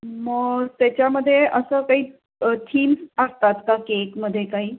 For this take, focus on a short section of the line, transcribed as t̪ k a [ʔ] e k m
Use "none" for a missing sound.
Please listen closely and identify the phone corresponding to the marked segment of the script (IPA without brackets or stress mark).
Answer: k